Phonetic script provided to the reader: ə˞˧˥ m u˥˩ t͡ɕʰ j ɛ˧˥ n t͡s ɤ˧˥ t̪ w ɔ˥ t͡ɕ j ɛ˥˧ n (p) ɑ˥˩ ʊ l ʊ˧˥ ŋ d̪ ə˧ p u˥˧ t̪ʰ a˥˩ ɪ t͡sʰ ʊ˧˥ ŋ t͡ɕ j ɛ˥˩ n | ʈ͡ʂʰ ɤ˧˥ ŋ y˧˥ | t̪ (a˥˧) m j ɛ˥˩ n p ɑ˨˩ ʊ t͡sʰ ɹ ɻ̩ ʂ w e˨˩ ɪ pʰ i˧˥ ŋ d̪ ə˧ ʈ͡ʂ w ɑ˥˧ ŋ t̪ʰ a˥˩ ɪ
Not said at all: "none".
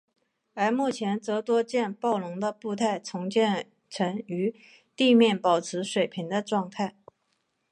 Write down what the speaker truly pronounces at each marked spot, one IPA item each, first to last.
p, i˥˧

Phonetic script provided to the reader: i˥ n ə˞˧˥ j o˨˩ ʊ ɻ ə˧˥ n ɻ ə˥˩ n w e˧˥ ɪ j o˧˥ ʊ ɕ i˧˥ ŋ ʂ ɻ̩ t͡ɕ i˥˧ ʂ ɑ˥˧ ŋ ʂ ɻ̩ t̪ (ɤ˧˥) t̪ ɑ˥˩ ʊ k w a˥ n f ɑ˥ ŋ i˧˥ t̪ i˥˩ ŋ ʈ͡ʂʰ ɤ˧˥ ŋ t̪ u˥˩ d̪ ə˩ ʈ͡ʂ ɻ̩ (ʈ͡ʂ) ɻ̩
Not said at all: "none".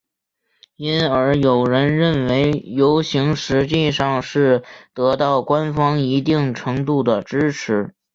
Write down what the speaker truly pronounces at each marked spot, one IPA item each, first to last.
ɤ˧˥, ʈ͡ʂʰ

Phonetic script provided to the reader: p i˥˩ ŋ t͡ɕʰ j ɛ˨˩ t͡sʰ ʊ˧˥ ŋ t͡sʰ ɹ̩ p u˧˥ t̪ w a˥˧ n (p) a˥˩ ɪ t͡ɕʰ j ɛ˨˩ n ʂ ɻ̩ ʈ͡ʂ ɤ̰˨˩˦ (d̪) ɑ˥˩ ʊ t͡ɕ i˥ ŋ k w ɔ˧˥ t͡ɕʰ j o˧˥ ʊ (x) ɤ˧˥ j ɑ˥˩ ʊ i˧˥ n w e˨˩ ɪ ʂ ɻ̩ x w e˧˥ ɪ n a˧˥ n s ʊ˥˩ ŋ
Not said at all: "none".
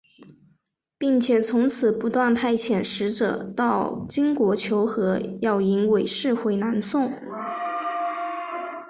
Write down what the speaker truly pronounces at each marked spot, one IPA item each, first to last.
pʰ, t̪, x

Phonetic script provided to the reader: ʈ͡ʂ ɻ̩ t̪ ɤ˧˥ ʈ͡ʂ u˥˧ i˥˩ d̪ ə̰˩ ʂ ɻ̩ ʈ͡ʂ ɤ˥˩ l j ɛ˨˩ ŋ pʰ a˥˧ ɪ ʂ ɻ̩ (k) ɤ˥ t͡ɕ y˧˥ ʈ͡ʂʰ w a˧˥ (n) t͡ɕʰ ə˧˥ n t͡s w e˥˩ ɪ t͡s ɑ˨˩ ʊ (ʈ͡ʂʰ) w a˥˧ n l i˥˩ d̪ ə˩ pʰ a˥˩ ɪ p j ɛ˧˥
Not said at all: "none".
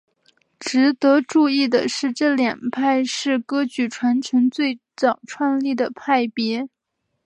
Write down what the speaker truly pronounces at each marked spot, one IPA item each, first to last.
k, n, ʈ͡ʂʰ

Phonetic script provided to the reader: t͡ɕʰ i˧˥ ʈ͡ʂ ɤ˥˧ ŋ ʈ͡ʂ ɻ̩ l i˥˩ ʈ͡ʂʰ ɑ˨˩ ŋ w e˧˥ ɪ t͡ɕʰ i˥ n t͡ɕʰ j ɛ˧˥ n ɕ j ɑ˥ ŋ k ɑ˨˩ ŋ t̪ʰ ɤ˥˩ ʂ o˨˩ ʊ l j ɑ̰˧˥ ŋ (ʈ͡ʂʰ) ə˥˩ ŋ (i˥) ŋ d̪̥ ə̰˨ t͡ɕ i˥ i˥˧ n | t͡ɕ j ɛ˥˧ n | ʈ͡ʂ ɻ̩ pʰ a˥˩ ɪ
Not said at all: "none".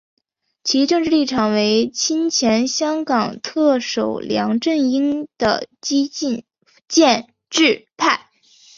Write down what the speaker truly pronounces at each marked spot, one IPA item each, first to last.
ʈ͡ʂ, i˥

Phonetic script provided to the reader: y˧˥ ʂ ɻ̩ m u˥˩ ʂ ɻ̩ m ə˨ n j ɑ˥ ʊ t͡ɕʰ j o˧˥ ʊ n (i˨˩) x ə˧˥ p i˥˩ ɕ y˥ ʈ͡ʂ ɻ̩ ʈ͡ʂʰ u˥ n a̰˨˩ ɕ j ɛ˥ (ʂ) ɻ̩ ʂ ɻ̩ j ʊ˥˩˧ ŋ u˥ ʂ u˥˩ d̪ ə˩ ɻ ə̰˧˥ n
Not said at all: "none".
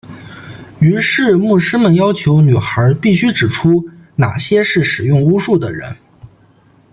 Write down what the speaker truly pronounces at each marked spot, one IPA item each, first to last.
y˨˩, ʂ

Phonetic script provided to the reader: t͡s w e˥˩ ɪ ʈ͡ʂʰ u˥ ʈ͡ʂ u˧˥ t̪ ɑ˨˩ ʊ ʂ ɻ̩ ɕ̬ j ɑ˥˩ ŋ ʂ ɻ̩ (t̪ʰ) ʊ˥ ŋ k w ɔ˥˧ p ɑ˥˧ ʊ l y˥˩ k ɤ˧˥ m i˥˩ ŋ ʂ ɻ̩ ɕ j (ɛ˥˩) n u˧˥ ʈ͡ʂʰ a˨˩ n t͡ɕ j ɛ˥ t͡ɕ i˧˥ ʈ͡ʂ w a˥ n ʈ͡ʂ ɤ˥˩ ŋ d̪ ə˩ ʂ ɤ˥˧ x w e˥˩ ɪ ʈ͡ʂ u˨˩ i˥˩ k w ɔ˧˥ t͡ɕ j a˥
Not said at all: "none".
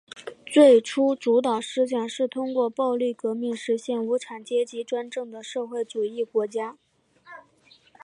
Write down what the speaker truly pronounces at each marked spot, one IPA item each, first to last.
t̪ʰ, ɛ˥˩

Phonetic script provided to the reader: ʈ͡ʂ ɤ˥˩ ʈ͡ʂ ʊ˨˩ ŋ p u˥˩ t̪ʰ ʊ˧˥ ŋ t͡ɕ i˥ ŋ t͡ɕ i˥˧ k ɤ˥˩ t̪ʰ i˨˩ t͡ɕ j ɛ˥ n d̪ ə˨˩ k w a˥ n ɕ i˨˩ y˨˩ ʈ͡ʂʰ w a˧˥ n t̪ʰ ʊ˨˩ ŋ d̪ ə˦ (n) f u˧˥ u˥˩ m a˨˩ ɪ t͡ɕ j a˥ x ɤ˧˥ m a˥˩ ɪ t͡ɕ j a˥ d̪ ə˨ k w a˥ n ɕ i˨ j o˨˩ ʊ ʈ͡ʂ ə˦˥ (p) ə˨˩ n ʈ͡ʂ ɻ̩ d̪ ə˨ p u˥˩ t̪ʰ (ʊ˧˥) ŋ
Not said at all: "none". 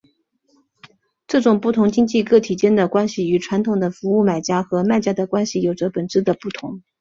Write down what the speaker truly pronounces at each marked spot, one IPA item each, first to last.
none, p, ʊ˧˥

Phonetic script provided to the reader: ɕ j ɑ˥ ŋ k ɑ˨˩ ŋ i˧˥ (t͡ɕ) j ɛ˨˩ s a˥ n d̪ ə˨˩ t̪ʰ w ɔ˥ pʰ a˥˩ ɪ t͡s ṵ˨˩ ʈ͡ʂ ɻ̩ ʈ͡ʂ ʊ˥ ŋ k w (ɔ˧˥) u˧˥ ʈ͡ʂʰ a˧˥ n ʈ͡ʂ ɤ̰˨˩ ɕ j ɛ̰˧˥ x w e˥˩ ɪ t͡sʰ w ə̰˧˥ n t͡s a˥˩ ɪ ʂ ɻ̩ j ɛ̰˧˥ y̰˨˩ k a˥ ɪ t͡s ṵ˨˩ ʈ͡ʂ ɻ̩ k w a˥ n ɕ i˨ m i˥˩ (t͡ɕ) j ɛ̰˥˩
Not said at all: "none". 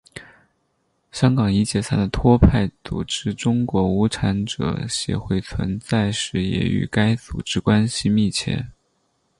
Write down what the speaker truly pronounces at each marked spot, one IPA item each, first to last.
t͡ɕ, ɔ˧˥, t͡ɕʰ

